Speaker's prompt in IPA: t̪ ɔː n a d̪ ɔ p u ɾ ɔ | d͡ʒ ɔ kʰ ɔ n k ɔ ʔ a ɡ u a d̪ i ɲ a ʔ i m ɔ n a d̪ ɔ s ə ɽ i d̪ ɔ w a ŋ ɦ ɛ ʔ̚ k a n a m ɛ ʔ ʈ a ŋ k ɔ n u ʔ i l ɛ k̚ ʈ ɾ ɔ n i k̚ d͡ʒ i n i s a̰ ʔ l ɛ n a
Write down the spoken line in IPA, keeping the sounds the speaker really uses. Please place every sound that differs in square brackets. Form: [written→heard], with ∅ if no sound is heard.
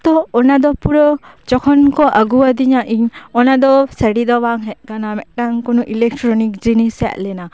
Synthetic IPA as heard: t̪ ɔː n a d̪ ɔ p u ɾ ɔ | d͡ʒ ɔ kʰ ɔ n k ɔ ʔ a ɡ u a d̪ i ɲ a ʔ i [m→ɲ] ɔ n a d̪ ɔ s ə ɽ i d̪ ɔ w a ŋ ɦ ɛ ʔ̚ k a n a m ɛ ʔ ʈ a ŋ k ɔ n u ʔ i l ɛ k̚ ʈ ɾ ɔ n i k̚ d͡ʒ i n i s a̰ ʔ l ɛ n a